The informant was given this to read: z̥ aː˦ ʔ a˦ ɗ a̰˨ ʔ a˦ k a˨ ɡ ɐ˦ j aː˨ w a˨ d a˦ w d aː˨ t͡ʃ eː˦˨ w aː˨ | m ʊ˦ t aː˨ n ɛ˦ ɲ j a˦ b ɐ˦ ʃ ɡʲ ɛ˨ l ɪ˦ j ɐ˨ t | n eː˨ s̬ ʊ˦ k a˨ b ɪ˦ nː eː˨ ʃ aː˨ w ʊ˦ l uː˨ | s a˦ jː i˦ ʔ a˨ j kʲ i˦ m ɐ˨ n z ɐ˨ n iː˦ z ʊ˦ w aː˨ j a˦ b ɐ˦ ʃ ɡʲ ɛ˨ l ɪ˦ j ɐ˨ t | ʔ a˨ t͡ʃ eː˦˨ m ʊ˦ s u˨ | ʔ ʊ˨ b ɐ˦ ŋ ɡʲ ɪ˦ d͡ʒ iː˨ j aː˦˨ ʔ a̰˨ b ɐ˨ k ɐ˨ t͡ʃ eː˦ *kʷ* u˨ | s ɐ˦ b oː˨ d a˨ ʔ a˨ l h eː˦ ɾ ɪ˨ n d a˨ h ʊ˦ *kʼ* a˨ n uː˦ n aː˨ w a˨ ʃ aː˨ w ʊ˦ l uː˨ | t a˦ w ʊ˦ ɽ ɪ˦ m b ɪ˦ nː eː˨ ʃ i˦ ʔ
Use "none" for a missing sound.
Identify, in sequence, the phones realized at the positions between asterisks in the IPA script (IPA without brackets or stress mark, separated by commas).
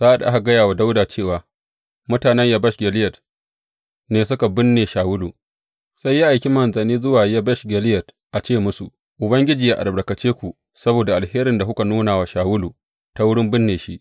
kʷ, k